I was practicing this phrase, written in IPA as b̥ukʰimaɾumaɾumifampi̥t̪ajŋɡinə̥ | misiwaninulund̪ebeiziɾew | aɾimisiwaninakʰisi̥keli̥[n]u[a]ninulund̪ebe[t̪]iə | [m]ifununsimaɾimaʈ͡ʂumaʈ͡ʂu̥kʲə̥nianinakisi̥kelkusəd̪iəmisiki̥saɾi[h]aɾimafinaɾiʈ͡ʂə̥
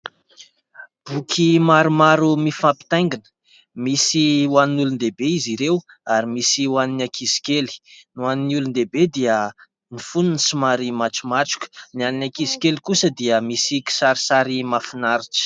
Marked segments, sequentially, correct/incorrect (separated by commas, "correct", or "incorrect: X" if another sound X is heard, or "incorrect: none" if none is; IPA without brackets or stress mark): correct, correct, incorrect: d̪, incorrect: n, incorrect: s